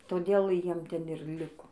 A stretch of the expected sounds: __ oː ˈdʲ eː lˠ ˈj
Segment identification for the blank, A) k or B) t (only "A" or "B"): B